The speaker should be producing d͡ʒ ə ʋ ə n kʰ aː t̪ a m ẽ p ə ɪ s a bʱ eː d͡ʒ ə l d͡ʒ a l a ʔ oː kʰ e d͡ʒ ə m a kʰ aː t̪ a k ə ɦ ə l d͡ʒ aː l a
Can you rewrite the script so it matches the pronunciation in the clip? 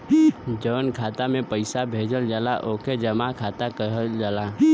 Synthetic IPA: d͡ʒ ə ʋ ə n kʰ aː t̪ a m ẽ p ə ɪ s a bʱ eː d͡ʒ ə l d͡ʒ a l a ʔ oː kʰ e d͡ʒ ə m a kʰ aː t̪ a k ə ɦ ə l d͡ʒ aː l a